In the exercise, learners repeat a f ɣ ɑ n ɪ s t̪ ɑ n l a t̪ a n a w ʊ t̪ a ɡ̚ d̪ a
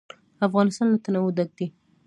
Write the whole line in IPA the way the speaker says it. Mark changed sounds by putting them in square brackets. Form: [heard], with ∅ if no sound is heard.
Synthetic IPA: a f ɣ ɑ n ɪ s t̪ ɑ n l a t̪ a n a w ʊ [d̪] a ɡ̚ d̪ [i]

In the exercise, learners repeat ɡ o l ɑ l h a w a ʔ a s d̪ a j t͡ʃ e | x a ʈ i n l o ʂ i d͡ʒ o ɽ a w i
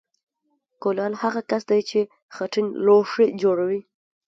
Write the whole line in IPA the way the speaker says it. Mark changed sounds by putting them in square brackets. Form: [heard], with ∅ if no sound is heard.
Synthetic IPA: [k] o l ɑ l h a [ɣ] a [k] a s d̪ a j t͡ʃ e | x a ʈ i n l o ʂ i d͡ʒ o ɽ a w i

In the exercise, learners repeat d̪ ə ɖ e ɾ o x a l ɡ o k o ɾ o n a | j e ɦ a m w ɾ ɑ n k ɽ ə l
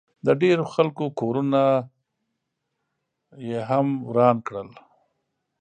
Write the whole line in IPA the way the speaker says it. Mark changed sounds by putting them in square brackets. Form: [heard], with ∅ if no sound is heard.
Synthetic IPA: d̪ ə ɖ e ɾ o x a l [k] o k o ɾ [u] n a | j e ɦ a m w ɾ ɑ n k ɽ ə l

